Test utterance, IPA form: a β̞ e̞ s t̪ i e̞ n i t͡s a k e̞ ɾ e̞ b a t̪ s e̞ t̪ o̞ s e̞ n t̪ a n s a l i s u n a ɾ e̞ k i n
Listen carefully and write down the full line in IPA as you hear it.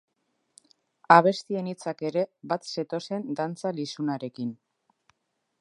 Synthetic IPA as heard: a β̞ e̞ s t̪ i e̞ n i t͡s a k e̞ ɾ e̞ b a t̪ s e̞ t̪ o̞ s e̞ n d̪ a n t͡s a l i s u n a ɾ e̞ k i n